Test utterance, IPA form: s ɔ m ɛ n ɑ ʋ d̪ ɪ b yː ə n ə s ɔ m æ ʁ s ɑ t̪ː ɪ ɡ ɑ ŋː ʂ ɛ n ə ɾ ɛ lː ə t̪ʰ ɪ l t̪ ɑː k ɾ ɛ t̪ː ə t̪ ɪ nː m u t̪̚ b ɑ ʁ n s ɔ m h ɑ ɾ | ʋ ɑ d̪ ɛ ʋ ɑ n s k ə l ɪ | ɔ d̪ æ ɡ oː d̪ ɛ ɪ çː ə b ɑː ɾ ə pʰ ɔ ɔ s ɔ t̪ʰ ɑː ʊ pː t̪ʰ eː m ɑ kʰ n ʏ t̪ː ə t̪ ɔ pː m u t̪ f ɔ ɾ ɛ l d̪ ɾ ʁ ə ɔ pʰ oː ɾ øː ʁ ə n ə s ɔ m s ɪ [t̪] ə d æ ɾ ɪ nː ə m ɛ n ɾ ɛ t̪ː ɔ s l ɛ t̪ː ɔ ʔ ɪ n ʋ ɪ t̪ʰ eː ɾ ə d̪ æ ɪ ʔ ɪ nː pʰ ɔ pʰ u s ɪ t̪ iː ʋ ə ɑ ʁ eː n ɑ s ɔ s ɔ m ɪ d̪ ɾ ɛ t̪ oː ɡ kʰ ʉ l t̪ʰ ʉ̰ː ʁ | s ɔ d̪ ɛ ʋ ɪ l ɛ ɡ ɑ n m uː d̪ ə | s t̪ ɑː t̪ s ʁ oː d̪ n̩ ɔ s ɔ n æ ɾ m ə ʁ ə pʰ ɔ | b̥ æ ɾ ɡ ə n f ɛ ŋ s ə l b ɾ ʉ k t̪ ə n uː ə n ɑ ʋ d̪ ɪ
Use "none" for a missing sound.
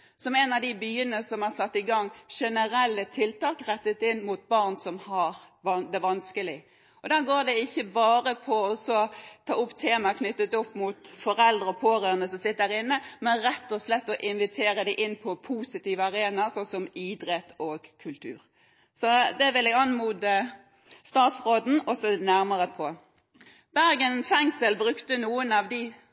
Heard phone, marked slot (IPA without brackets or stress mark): t̪